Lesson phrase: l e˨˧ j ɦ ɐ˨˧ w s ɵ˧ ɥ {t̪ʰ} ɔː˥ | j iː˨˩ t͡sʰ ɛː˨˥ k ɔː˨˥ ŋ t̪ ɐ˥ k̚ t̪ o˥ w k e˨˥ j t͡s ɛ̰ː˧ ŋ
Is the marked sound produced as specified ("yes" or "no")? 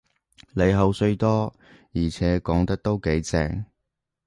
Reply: no